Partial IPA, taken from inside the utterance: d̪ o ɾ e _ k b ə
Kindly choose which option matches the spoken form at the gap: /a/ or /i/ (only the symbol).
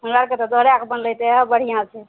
a